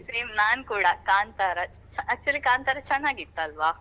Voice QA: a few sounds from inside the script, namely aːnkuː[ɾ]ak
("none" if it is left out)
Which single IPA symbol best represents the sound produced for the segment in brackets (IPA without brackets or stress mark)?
ɽ